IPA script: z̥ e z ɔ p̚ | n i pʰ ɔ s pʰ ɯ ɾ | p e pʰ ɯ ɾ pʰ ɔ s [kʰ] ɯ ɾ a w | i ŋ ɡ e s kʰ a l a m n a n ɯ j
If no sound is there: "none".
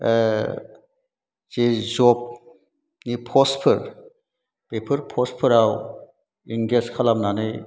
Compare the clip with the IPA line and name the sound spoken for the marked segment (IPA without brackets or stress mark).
pʰ